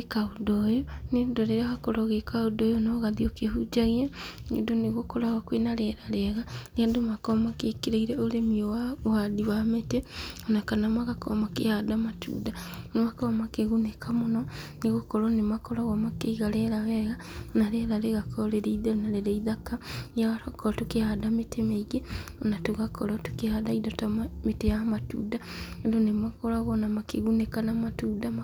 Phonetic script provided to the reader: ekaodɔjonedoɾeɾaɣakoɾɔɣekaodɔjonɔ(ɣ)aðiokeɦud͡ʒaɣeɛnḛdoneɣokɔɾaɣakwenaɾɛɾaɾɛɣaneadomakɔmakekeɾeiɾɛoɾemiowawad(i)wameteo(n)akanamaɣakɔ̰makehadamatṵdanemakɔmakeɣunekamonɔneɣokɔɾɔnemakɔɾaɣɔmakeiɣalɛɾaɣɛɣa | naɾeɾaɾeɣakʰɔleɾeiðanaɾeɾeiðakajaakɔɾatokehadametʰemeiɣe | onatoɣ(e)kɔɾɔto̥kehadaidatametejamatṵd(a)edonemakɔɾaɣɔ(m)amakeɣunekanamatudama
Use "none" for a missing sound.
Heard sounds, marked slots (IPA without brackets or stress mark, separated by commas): ɣ, i, n, a, a, n